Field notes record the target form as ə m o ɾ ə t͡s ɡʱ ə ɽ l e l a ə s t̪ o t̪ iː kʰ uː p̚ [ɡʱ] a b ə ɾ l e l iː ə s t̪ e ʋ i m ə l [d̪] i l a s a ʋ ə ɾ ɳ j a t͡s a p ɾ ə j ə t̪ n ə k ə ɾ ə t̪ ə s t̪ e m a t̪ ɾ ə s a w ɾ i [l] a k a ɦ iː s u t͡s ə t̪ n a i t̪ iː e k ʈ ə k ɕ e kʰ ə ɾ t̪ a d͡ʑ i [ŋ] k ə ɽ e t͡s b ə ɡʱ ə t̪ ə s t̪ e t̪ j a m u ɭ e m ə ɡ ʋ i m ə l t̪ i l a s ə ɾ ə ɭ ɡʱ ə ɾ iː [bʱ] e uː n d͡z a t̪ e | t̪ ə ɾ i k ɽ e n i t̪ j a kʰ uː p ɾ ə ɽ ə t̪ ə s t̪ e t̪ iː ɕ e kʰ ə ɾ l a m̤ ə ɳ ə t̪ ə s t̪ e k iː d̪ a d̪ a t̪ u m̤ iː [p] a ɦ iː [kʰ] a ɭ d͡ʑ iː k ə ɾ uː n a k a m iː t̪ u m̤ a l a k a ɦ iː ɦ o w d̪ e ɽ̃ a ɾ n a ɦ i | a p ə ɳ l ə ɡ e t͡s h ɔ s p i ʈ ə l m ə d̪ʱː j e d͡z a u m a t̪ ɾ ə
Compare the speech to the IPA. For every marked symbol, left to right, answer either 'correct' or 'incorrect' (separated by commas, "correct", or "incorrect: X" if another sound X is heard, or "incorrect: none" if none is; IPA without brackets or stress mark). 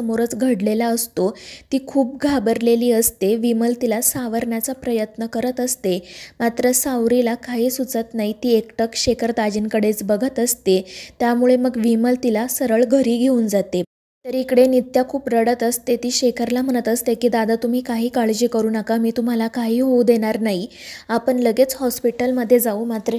correct, incorrect: t̪, correct, incorrect: n, incorrect: ɡʱ, incorrect: k, incorrect: k